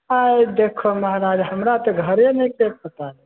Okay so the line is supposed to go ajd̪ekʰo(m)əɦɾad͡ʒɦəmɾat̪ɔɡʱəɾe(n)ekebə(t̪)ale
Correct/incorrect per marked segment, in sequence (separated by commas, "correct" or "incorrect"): correct, correct, correct